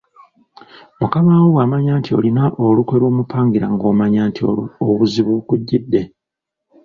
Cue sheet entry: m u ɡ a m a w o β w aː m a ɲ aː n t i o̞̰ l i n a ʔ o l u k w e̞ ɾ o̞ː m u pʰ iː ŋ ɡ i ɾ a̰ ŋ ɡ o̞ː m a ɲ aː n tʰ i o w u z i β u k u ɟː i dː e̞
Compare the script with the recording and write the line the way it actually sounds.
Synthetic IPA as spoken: m u k a m a w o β w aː m a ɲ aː n t i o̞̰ l i n a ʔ o l u k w e̞ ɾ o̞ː m u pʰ aː ŋ ɡ i ɾ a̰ ŋ ɡ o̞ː m a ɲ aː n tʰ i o β u z i β u k u ɟː i dː e̞